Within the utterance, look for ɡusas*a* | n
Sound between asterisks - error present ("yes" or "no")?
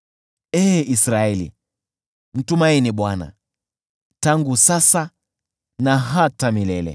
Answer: no